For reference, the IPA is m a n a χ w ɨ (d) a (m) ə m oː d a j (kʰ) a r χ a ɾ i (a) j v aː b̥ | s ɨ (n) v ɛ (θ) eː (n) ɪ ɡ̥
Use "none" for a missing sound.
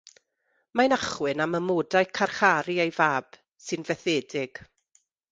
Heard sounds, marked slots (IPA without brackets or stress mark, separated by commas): n, m, kʰ, e, n, θ, d